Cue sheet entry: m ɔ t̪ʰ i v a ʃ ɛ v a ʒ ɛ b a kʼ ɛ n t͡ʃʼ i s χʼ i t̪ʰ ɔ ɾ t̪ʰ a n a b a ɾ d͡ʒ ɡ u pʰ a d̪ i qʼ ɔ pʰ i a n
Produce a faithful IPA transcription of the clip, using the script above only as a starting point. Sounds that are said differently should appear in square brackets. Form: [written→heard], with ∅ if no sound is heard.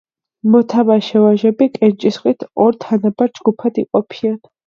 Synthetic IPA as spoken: m ɔ t̪ʰ [i→a] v a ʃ ɛ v a ʒ ɛ b [a→i] kʼ ɛ n t͡ʃʼ i s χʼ i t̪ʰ ɔ ɾ t̪ʰ a n a b a ɾ d͡ʒ ɡ u pʰ a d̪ i qʼ ɔ pʰ i a n